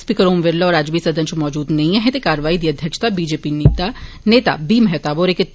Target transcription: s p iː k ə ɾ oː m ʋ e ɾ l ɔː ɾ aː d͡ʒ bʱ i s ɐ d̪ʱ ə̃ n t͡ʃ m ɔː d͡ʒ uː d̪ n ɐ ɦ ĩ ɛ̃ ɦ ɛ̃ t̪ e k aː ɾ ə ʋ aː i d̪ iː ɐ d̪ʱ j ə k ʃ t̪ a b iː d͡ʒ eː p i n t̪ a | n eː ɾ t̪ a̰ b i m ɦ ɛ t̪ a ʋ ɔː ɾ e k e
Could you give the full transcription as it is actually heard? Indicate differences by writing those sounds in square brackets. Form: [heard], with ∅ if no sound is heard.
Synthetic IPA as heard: s p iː k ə ɾ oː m ʋ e ɾ l ɔː ɾ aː d͡ʒ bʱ i s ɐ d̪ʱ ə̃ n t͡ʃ m ɔː d͡ʒ uː d̪ n ɐ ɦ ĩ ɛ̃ ɦ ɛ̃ t̪ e k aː ɾ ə ʋ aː i d̪ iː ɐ d̪ʱ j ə k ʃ t̪ a b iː d͡ʒ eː p i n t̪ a | n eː [∅] t̪ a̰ b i m ɦ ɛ t̪ a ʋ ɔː ɾ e k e